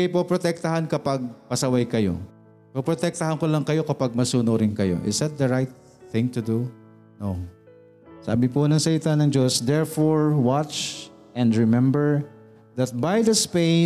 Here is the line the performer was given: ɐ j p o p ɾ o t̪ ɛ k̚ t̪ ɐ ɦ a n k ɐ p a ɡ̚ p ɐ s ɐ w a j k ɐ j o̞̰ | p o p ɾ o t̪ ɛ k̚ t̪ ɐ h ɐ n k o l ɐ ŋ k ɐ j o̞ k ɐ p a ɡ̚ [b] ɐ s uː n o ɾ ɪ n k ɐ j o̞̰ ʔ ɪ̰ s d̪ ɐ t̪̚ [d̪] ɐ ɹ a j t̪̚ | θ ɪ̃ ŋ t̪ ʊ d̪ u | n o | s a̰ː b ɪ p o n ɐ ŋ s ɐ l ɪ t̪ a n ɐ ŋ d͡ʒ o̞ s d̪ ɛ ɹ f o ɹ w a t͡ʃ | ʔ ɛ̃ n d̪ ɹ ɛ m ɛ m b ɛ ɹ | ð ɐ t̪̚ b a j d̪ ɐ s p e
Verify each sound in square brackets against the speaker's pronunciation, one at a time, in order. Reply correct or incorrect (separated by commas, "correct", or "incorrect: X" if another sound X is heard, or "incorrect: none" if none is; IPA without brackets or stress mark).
incorrect: m, correct